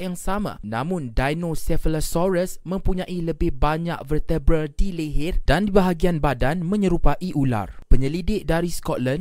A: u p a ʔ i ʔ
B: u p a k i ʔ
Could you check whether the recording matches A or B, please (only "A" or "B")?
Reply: A